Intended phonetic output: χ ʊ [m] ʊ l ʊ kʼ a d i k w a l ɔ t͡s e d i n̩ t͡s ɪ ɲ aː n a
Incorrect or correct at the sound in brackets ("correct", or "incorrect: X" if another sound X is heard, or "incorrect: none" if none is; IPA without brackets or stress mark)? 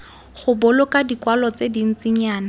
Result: incorrect: b